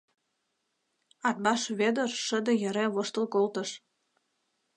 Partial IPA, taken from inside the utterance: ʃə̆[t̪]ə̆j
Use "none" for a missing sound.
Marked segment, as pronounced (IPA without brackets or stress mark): d̪